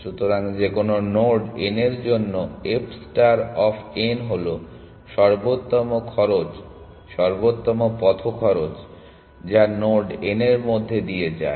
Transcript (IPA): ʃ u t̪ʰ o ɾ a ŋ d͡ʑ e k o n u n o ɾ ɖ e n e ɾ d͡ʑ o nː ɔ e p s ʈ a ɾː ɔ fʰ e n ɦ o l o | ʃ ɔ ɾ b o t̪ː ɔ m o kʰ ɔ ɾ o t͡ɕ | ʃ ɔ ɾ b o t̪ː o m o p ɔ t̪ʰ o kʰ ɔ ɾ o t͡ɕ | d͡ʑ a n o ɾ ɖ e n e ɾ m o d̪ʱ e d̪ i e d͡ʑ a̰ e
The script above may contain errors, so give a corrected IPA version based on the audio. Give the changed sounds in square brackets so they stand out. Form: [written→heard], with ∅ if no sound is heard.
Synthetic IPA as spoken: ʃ u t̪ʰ o ɾ a ŋ d͡ʑ e k o n [u→o] n o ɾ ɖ e n e ɾ d͡ʑ o nː [ɔ→o] e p s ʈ a [ɾː→ɾ] ɔ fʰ e n ɦ o l o | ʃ ɔ ɾ b o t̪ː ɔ m o kʰ ɔ ɾ o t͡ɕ | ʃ ɔ ɾ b o t̪ː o m o p ɔ t̪ʰ o kʰ ɔ ɾ o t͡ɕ | d͡ʑ a n o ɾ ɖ e n e ɾ m o [d̪ʱ→d̪ʱː] e d̪ i e d͡ʑ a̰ e